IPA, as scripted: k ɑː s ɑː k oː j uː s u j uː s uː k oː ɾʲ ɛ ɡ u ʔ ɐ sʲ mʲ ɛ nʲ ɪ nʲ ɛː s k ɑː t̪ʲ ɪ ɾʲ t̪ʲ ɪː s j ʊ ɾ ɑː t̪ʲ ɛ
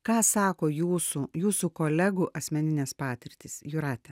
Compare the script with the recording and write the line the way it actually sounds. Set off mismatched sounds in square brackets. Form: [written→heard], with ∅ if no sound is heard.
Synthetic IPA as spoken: k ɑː s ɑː k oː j uː s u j uː s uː k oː [ɾʲ→lʲ] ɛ ɡ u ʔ ɐ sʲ mʲ ɛ nʲ ɪ nʲ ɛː s [k→p] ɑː t̪ʲ ɪ ɾʲ t̪ʲ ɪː s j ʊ ɾ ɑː t̪ʲ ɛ